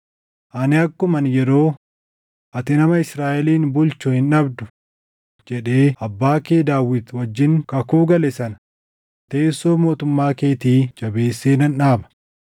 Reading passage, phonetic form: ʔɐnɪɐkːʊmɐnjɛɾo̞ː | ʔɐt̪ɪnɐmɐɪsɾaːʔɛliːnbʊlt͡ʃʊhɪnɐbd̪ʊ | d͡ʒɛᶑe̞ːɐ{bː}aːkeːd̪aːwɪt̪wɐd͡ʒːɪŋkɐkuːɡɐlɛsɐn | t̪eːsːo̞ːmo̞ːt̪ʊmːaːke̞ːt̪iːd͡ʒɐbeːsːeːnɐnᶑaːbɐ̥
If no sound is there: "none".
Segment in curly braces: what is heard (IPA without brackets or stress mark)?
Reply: bː